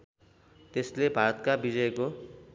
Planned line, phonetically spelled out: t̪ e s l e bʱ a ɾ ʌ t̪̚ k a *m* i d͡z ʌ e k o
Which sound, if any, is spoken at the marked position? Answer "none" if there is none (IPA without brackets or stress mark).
b